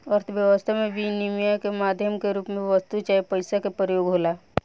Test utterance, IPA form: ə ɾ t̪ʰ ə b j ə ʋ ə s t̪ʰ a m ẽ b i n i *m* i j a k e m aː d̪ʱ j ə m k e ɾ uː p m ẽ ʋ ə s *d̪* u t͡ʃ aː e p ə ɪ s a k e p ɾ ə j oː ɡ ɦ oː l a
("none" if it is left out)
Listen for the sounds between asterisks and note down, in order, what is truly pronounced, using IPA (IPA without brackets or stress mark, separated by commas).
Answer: m, t̪